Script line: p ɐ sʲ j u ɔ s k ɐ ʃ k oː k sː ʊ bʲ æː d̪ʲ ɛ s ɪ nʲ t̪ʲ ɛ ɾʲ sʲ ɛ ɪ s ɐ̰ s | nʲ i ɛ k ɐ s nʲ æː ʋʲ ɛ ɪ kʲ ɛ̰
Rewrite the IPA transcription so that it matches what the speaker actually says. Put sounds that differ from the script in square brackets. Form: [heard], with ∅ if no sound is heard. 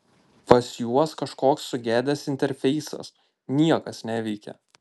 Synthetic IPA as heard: p ɐ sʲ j u ɔ s k ɐ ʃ k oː k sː ʊ [ɡʲ] æː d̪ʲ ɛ s ɪ nʲ t̪ʲ ɛ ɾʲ [fʲ] ɛ ɪ s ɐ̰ s | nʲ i ɛ k ɐ s nʲ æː ʋʲ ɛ ɪ kʲ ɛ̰